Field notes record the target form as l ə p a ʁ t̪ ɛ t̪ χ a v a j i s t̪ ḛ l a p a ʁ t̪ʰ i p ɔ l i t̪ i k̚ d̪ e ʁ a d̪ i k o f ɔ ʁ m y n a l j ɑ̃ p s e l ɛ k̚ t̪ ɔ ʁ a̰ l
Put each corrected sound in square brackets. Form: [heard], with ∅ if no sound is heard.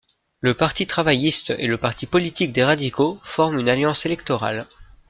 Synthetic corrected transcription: l ə p a ʁ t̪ [i] t̪ χ a v a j i s t̪ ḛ l [ə] p a ʁ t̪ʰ i p ɔ l i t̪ i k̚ d̪ e ʁ a d̪ i k o f ɔ ʁ m y n a l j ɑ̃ [∅] s e l ɛ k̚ t̪ ɔ ʁ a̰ l